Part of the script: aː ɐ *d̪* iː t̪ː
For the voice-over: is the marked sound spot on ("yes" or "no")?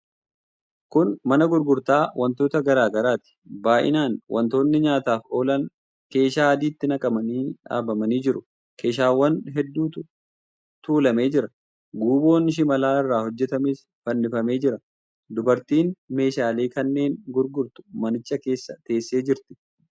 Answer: yes